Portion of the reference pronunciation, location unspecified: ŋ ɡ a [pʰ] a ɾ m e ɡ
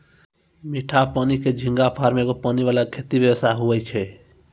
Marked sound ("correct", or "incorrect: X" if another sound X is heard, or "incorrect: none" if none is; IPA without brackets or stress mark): correct